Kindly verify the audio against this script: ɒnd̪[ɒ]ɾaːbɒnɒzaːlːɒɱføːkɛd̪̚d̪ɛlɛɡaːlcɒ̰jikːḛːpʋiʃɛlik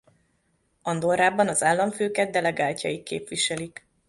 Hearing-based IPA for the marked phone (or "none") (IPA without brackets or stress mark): o